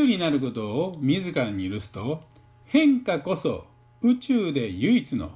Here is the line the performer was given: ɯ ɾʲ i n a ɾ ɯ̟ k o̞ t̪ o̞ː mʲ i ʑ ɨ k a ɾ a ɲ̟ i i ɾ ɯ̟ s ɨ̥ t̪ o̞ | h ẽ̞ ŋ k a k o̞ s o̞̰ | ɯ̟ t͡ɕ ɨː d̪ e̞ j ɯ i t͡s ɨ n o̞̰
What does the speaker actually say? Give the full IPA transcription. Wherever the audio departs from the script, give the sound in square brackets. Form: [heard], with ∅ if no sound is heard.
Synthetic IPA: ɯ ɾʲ i n a ɾ ɯ̟ k o̞ t̪ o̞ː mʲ i [z] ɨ k a ɾ a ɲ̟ i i ɾ ɯ̟ s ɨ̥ t̪ o̞ | h ẽ̞ ŋ k a k o̞ s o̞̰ | ɯ̟ t͡ɕ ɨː d̪ e̞ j ɯ i t͡s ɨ n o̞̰